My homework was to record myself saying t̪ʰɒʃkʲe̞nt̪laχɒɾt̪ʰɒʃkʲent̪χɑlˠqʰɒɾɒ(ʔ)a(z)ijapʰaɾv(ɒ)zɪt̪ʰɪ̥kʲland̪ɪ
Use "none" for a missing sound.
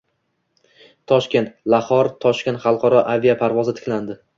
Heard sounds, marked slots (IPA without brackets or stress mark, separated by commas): ʔ, v, ɒ